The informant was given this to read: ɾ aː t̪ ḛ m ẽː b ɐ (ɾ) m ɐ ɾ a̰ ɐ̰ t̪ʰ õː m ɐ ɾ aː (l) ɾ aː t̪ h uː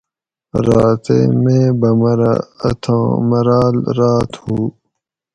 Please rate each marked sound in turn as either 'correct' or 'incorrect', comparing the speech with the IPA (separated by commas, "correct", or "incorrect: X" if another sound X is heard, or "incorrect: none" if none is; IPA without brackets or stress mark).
incorrect: none, correct